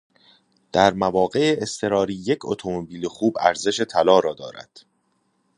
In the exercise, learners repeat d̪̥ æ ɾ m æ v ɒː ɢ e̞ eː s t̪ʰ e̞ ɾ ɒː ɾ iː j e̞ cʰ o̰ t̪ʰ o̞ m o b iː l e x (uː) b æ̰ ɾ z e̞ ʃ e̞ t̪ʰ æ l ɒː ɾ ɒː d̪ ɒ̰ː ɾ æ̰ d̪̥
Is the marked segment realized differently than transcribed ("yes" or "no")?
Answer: no